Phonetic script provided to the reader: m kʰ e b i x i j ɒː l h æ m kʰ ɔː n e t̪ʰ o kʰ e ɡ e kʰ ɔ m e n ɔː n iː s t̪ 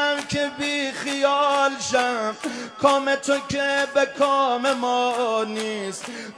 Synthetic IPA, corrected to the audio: m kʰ e b i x i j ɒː l ʃ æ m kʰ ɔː m e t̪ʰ o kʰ e b e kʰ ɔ m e m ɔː n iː s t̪